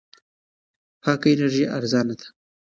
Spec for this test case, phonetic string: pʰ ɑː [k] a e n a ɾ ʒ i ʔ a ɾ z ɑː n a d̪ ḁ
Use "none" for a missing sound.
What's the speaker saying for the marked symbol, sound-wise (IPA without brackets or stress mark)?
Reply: k